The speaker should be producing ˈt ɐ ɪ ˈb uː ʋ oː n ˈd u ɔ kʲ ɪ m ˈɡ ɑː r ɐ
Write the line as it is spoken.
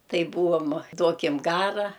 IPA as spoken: ˈt ɐ ɪ ˈb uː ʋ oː m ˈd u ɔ kʲ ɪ m ˈɡ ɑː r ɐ